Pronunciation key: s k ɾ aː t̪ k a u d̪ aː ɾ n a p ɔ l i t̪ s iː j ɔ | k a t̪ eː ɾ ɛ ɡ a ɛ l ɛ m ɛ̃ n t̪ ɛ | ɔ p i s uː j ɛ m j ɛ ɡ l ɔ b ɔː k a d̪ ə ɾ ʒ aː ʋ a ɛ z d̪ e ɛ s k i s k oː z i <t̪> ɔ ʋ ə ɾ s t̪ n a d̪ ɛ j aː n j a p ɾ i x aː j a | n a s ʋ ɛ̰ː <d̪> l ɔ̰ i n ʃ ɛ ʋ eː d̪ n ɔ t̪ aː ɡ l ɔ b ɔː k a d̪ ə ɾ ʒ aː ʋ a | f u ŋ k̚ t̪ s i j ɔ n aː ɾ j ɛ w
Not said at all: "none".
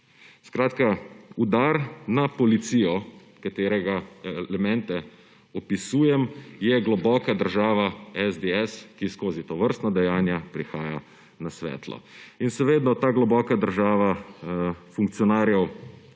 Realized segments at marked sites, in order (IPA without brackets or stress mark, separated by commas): t̪, t̪